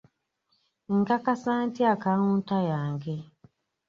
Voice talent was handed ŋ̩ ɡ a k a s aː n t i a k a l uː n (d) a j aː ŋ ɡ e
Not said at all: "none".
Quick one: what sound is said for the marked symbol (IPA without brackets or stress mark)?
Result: t